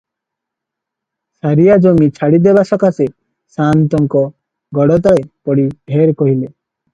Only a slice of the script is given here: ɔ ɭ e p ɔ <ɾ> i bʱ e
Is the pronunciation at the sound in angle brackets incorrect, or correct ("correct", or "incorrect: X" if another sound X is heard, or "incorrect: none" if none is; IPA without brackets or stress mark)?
incorrect: ɽ